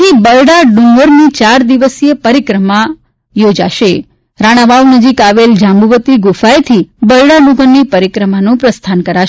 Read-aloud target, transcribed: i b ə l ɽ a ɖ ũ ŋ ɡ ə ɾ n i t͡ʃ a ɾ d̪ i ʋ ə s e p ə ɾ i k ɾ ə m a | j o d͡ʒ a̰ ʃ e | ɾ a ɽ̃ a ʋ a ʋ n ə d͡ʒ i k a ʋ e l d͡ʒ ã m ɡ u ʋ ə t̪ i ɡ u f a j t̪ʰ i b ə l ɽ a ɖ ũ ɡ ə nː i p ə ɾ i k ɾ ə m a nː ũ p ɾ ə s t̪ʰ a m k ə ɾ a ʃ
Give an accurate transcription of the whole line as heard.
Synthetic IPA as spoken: i b ə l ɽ a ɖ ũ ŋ ɡ ə ɾ n i t͡ʃ a ɾ d̪ i ʋ ə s e p ə ɾ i k ɾ ə m a | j o d͡ʒ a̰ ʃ e | ɾ a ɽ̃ a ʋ a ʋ n ə d͡ʒ i k a ʋ e l d͡ʒ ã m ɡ u ʋ ə t̪ i ɡ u f a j t̪ʰ i b ə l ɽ a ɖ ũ ɡ ə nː i p ə ɾ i k ɾ ə m a n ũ p ɾ ə s t̪ʰ a n k ə ɾ a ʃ